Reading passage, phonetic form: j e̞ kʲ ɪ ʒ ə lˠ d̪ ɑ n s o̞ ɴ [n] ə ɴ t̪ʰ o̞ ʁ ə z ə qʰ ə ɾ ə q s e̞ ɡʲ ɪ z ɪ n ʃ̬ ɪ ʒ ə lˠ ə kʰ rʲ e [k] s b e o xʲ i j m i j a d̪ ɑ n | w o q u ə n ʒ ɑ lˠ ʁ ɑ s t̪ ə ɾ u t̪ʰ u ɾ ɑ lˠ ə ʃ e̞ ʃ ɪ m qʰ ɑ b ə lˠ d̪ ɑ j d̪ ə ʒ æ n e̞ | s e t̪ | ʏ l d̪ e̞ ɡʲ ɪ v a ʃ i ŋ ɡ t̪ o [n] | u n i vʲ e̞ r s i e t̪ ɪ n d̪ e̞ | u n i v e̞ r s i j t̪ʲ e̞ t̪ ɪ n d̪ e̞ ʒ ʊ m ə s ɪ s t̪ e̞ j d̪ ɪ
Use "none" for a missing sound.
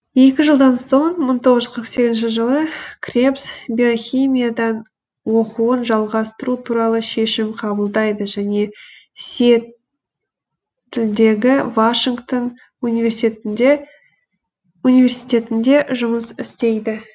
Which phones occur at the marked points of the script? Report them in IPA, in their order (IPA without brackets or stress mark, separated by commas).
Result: m, p, n